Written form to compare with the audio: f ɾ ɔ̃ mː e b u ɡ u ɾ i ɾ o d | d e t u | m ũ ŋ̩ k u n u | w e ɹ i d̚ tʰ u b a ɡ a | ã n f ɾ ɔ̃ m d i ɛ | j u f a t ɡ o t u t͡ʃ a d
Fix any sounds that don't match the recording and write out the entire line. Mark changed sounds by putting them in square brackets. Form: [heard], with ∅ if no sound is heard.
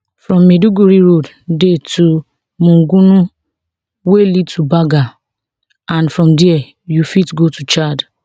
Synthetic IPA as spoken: f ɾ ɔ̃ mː e [d] u ɡ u ɾ i ɾ o d | d e t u | m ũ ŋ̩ [ɡ] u n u | w e [l] i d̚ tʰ u b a ɡ a | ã n f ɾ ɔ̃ m d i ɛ | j u f [i] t ɡ o t u t͡ʃ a d